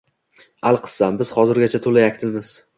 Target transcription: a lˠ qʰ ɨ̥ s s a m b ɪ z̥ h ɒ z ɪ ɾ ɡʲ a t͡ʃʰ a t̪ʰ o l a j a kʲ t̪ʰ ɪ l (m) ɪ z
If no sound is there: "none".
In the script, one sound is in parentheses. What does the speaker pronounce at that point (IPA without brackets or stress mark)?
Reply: m